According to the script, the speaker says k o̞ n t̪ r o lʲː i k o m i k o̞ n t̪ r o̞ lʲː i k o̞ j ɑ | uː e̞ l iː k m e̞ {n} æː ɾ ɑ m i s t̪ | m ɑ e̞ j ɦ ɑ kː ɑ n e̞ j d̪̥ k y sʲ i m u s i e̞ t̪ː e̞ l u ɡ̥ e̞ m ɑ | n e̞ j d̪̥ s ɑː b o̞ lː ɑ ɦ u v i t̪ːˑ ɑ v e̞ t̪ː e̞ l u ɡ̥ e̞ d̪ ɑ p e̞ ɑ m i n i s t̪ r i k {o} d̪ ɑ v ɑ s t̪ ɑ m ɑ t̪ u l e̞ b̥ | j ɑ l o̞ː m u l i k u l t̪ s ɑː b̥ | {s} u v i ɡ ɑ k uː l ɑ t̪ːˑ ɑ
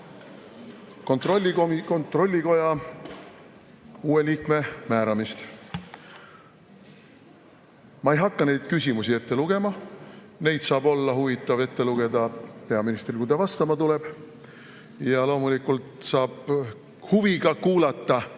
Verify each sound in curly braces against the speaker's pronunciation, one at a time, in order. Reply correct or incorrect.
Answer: incorrect: m, incorrect: u, incorrect: h

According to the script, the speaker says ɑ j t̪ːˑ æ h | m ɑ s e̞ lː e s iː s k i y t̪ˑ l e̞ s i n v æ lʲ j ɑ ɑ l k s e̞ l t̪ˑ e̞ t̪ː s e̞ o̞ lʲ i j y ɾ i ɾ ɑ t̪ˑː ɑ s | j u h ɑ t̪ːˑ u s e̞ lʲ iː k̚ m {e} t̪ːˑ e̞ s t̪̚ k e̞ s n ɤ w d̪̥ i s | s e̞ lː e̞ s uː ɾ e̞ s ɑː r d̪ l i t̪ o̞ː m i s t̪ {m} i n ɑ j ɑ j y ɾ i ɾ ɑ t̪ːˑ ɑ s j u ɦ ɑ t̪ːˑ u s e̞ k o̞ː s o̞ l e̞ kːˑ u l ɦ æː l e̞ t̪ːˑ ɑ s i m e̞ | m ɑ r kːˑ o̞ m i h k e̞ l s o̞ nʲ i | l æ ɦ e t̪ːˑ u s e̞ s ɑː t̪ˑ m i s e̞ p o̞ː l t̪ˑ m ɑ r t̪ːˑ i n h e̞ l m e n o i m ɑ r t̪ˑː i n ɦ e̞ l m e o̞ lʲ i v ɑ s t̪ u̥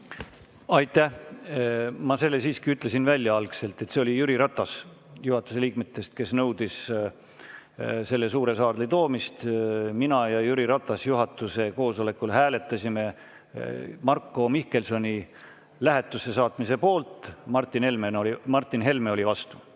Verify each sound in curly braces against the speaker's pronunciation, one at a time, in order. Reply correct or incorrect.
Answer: correct, correct

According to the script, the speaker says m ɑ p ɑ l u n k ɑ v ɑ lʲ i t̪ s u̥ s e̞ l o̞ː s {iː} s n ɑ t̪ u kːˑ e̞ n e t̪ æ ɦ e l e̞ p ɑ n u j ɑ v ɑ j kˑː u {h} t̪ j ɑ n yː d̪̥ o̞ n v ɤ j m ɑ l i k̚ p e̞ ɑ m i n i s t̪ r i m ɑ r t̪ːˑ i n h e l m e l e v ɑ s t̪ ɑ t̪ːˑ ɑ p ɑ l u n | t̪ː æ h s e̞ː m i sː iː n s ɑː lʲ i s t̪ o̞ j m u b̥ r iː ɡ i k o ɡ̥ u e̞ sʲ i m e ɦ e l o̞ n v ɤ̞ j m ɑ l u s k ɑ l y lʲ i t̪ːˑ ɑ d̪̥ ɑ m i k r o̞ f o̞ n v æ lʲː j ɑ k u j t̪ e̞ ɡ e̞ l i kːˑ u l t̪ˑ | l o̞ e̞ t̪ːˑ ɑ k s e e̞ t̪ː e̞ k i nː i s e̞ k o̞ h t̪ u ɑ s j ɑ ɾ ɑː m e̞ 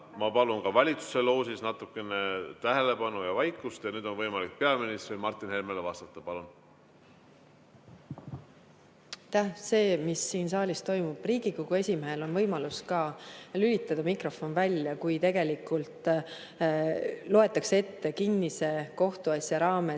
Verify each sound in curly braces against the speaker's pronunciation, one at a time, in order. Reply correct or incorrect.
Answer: incorrect: i, incorrect: s

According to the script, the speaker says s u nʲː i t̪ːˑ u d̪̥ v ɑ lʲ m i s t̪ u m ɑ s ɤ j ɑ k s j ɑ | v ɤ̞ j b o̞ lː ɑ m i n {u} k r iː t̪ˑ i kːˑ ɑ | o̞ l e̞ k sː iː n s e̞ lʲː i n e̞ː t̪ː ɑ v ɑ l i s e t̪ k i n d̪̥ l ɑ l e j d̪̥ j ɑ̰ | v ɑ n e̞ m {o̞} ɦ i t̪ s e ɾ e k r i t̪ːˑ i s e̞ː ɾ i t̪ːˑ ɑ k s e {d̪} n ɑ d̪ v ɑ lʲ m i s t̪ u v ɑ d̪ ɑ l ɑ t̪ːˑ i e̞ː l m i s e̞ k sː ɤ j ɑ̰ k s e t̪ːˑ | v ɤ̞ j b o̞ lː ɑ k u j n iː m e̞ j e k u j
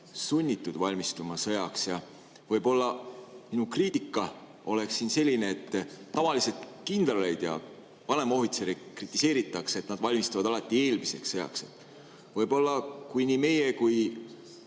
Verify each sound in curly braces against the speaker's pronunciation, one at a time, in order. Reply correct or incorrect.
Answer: correct, correct, incorrect: t̪

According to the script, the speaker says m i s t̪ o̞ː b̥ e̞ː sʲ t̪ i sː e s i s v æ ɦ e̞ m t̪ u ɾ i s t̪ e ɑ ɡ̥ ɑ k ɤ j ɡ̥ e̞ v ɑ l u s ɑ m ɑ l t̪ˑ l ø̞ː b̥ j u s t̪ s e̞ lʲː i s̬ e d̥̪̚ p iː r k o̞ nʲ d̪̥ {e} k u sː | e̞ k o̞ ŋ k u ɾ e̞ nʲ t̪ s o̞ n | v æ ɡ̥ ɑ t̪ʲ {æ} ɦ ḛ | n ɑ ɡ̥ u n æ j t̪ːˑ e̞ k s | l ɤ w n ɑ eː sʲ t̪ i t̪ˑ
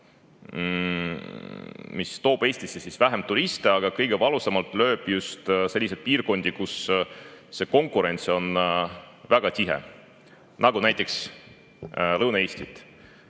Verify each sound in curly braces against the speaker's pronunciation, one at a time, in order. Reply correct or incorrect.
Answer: incorrect: i, incorrect: i

